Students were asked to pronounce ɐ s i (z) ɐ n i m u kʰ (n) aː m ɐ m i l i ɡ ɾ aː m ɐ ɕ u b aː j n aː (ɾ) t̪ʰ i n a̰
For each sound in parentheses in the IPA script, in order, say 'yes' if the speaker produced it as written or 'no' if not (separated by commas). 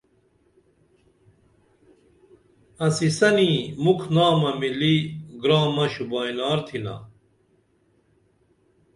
no, yes, yes